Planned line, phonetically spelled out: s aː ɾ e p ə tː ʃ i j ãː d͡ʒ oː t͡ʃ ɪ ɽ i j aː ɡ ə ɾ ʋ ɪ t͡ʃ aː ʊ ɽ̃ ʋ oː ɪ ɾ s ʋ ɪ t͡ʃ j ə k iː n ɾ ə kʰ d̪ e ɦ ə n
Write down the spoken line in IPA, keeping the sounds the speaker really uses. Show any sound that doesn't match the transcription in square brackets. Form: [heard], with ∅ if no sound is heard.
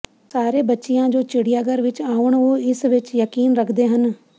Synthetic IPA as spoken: s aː ɾ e [b] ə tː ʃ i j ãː d͡ʒ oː t͡ʃ ɪ ɽ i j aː ɡ ə ɾ ʋ ɪ t͡ʃ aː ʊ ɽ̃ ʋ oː ɪ [∅] s ʋ ɪ t͡ʃ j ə k iː n ɾ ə kʰ d̪ e ɦ ə n

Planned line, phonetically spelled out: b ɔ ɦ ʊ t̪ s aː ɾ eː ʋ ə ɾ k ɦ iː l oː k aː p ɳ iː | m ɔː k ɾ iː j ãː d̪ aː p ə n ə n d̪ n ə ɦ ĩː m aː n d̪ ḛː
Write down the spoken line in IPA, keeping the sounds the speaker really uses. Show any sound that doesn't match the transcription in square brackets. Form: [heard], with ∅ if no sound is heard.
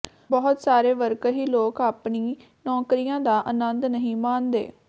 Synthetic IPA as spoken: b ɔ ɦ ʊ t̪ s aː ɾ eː ʋ ə ɾ k ɦ iː l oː k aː p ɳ iː | [n] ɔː k ɾ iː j ãː d̪ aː [ʔ] ə n ə n d̪ n ə ɦ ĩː m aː n d̪ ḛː

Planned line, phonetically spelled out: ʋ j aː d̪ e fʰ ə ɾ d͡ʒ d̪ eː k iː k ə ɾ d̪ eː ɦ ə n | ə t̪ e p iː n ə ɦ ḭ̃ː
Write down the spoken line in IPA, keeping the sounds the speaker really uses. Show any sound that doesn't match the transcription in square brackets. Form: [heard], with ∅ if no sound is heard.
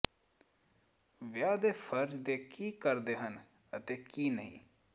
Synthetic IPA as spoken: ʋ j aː d̪ e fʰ ə ɾ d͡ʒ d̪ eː k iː k ə ɾ d̪ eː ɦ ə n | ə t̪ e [k] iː n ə ɦ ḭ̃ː

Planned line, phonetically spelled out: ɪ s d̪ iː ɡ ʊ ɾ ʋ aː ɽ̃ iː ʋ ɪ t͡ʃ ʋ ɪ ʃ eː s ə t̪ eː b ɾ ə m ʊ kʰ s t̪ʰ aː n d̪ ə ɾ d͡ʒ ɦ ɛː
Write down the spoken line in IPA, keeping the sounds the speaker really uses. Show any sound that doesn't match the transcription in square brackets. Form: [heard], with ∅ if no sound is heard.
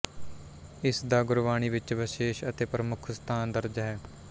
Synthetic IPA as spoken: ɪ s d̪ [aː] ɡ ʊ ɾ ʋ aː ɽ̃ iː ʋ ɪ t͡ʃ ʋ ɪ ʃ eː [ʃ] ə t̪ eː [p] ɾ ə m ʊ kʰ s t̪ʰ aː n d̪ ə ɾ d͡ʒ ɦ ɛː

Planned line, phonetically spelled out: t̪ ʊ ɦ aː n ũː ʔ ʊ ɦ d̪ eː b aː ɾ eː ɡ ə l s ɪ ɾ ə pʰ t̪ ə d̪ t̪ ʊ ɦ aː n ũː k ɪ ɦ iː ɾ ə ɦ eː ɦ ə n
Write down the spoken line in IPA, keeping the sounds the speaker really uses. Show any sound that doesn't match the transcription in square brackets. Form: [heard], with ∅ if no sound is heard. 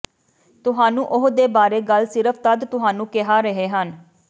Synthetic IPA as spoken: t̪ ʊ ɦ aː n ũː ʔ ʊ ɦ d̪ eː b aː ɾ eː ɡ ə l s ɪ ɾ ə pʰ t̪ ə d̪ t̪ ʊ ɦ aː n ũː k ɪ ɦ [aː] ɾ ə ɦ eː ɦ ə n

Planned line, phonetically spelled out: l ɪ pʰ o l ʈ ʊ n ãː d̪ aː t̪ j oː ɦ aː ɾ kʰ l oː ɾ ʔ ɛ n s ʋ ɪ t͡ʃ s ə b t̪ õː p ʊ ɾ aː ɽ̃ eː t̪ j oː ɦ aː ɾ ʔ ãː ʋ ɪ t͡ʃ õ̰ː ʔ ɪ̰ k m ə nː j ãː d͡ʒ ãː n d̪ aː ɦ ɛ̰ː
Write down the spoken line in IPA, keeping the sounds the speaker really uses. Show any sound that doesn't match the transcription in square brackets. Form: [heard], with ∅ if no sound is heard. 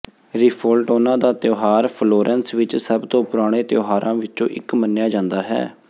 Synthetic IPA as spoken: [ɾ] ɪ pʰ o l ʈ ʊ n ãː d̪ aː t̪ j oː ɦ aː ɾ [pʰ] l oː ɾ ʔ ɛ n s ʋ ɪ t͡ʃ s ə b t̪ õː p ʊ ɾ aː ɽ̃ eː t̪ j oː ɦ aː ɾ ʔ ãː ʋ ɪ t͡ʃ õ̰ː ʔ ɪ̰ k m ə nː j [aː] d͡ʒ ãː n d̪ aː ɦ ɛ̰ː

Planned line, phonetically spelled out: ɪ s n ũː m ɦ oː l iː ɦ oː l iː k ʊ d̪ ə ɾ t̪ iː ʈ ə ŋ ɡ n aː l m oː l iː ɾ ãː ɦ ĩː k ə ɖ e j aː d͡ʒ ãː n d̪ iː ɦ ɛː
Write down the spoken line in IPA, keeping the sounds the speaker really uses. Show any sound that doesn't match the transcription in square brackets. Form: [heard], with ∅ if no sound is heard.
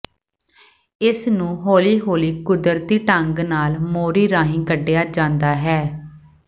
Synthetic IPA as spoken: ɪ s n ũː [∅] ɦ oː l iː ɦ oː l iː k ʊ d̪ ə ɾ t̪ iː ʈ ə ŋ ɡ n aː l m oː [ɾ] iː ɾ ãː ɦ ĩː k ə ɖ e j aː d͡ʒ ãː n d̪ [aː] ɦ ɛː

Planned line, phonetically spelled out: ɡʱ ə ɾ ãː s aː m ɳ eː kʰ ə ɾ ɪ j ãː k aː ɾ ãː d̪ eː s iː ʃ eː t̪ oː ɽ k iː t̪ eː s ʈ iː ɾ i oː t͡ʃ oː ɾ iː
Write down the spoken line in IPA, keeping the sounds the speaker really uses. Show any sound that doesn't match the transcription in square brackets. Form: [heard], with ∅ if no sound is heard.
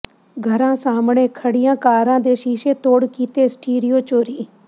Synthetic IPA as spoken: ɡʱ ə ɾ ãː s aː m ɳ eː kʰ ə [ɽ] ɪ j ãː k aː ɾ ãː d̪ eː [ʃ] iː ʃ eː t̪ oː ɽ k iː t̪ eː s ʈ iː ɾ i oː t͡ʃ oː ɾ iː

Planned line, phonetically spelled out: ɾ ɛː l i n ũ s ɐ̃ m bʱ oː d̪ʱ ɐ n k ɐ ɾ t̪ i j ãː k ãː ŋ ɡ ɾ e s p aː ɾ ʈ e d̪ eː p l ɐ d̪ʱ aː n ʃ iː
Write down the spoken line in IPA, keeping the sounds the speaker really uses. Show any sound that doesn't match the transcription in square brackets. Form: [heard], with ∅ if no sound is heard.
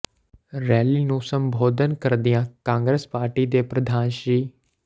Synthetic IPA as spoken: ɾ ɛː l i n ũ s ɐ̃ m bʱ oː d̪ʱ [ə] n k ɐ ɾ [d̪] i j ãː k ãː ŋ ɡ ɾ e s p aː ɾ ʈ [i] d̪ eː p [ɾ] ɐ d̪ʱ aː n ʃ iː

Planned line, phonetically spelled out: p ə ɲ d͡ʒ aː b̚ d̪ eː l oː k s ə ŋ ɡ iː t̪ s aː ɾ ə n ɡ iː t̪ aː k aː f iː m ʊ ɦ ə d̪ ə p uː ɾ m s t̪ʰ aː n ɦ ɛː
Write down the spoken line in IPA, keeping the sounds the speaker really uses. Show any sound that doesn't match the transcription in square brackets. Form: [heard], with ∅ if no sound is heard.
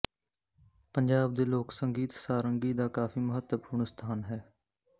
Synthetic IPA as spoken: p ə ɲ d͡ʒ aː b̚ d̪ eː l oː k s ə ŋ ɡ iː t̪ s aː ɾ ə [ŋ] ɡ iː [d̪] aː k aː f iː m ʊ ɦ ə [t̪] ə p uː ɾ [ɳ] s t̪ʰ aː n ɦ ɛː

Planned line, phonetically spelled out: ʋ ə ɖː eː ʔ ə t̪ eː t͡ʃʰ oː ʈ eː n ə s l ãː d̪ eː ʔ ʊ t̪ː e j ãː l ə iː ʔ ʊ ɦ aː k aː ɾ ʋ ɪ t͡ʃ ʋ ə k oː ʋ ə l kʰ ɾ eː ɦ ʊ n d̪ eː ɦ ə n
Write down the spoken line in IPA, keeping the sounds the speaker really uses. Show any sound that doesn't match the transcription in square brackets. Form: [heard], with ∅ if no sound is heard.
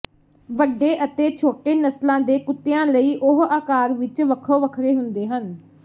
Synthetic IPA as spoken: ʋ ə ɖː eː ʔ ə t̪ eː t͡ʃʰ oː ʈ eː n ə s l ãː d̪ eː [k] ʊ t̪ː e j ãː l ə iː ʔ ʊ ɦ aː k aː ɾ ʋ ɪ t͡ʃ ʋ ə [kʰ] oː ʋ ə [∅] kʰ ɾ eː ɦ ʊ n d̪ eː ɦ ə n

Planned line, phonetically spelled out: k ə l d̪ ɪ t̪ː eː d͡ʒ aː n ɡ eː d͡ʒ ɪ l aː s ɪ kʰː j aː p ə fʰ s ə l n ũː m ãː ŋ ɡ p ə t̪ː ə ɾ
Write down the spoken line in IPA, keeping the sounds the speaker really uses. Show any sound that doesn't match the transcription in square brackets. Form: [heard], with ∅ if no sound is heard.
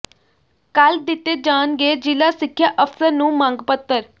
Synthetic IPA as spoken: k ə l d̪ ɪ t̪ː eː d͡ʒ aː n ɡ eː d͡ʒ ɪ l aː s ɪ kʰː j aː [ʔ] ə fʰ s ə [ɾ] n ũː m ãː ŋ ɡ p ə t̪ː ə ɾ

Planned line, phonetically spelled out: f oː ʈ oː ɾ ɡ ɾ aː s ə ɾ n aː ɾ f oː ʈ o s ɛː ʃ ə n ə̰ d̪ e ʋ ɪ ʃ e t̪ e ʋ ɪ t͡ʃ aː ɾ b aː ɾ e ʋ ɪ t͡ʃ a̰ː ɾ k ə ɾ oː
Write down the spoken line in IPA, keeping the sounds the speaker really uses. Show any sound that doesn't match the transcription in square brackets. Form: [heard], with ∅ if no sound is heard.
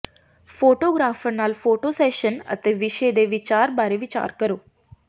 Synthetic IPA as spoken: f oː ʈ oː [∅] ɡ ɾ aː [f] ə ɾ n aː [l] f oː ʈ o s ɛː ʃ ə n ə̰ [t̪] e ʋ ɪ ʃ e [d̪] e ʋ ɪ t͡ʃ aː ɾ b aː ɾ e ʋ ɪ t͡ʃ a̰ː ɾ k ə ɾ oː

